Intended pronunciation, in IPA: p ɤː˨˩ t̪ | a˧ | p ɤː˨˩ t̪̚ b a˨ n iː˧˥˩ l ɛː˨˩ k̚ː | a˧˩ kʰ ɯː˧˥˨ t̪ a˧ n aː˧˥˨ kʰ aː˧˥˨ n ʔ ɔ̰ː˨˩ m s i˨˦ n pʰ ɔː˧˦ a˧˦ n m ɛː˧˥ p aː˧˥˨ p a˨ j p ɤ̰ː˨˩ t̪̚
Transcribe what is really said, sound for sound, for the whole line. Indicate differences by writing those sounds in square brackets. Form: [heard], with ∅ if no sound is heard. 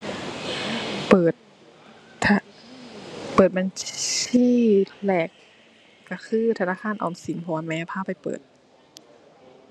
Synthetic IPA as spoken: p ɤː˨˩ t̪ | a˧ | p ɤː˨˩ t̪̚ b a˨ n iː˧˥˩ l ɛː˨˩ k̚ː | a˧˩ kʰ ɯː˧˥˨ [t̪ʰ] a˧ n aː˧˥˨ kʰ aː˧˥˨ n ʔ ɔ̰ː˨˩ m s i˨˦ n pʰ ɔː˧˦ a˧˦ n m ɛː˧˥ [pʰ] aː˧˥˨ p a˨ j p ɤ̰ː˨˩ t̪̚